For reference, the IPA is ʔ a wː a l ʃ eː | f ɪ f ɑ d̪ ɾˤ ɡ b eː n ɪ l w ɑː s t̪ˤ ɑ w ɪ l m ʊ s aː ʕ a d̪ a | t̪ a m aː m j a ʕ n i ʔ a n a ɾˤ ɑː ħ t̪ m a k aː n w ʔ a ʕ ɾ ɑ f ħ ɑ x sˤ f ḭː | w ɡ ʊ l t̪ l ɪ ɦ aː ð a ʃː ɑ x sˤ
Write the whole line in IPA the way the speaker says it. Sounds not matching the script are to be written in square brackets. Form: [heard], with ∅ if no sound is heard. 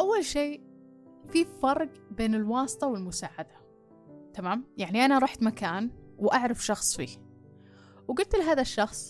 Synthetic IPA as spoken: ʔ a wː a l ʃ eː | f [i] f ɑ [∅] ɾˤ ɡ b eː n ɪ l w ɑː s t̪ˤ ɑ w ɪ l m ʊ s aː ʕ a d̪ a | t̪ a m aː m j a ʕ n i ʔ a n a ɾˤ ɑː ħ t̪ m a k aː n w ʔ a ʕ ɾ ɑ f [ʃ] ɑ x sˤ f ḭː | w ɡ ʊ l t̪ l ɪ ɦ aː ð a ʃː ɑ x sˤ